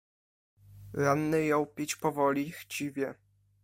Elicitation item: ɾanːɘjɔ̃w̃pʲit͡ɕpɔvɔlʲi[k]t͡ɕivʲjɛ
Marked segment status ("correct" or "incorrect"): incorrect